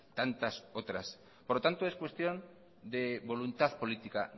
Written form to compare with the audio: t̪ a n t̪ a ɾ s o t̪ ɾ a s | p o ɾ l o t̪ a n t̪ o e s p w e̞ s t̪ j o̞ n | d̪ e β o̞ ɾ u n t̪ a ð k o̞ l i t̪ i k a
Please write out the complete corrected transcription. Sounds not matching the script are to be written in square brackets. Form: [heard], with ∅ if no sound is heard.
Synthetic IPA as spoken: t̪ a n t̪ a [∅] s o t̪ ɾ a s | p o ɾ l o t̪ a n t̪ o e s [k] w e̞ s t̪ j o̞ n | d̪ e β o̞ [l] u n t̪ a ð [p] o̞ l i t̪ i k a